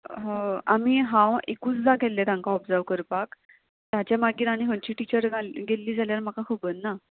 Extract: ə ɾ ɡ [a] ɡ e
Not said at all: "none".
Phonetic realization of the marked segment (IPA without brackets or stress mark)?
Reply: a